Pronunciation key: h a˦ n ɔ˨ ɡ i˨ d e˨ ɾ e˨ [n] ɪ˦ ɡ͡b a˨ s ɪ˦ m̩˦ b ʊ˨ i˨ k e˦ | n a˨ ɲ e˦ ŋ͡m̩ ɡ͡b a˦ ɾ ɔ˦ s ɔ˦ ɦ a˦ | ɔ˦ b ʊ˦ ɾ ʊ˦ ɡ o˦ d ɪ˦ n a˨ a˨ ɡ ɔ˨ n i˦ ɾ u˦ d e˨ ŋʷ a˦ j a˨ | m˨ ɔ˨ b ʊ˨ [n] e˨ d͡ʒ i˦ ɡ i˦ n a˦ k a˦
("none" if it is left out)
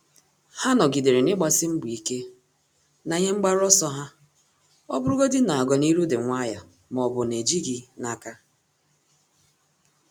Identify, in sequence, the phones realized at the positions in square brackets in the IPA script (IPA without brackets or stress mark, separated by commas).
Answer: n, n